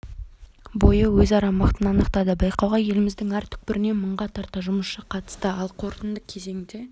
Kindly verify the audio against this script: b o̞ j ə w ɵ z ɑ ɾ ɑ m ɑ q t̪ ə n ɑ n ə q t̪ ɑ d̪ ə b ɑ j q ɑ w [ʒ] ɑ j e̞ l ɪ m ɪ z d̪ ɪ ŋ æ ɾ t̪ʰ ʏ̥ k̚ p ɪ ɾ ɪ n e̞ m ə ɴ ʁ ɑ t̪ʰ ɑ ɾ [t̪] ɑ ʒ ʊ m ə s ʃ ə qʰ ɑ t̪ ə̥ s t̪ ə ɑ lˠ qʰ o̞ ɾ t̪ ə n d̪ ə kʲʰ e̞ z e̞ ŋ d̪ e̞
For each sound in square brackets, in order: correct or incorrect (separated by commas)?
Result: incorrect, correct